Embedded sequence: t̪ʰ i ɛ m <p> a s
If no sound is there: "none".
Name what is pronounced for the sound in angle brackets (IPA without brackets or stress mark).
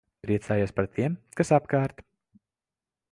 k